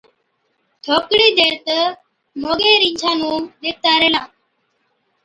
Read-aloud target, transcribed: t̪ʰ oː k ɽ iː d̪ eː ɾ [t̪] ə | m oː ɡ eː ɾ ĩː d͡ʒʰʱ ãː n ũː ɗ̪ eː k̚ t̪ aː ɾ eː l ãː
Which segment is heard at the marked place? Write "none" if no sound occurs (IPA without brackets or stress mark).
t̪